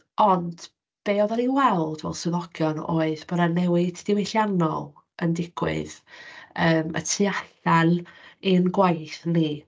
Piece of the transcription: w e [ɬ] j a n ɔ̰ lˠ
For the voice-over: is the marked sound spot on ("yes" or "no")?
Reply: yes